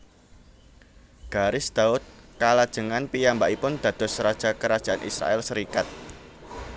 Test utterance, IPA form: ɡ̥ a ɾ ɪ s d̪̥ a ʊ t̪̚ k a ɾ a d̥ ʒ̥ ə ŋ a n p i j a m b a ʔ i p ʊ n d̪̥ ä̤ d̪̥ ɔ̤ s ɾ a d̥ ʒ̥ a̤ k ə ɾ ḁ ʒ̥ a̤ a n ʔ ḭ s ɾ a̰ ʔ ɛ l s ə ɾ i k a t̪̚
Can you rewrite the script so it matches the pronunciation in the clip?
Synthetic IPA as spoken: ɡ̥ a ɾ ɪ s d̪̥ a ʊ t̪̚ k a l a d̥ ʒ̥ ə ŋ a n p i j a m b a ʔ i p ʊ n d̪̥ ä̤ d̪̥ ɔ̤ s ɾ a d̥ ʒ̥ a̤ k ə ɾ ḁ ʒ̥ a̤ a n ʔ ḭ s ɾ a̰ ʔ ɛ l s ə ɾ i k a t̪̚